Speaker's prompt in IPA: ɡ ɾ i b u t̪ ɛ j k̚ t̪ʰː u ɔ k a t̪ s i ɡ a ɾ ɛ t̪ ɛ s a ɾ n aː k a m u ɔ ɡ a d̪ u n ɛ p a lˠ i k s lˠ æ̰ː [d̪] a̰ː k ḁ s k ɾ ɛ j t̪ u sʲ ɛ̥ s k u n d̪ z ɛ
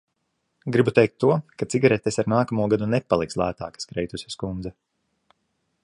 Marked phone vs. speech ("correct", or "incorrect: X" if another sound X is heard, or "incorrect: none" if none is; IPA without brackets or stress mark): incorrect: t̪